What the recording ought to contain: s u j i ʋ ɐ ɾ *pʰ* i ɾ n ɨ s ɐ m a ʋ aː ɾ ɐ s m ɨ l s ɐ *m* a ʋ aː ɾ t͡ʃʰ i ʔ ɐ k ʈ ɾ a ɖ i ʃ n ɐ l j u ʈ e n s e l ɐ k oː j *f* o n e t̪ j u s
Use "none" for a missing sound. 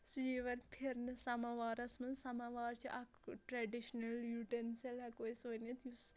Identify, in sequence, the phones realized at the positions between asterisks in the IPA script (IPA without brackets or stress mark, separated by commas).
pʰ, m, s